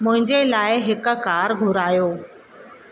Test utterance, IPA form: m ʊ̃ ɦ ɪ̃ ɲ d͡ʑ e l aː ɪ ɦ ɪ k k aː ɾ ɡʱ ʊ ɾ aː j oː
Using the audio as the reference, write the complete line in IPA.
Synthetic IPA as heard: m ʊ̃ ɦ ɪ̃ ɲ d͡ʑ e l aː ɪ ɦ ɪ k k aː ɾ ɡʱ ʊ ɾ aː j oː